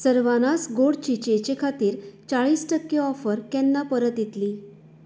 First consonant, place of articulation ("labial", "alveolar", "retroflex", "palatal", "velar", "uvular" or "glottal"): alveolar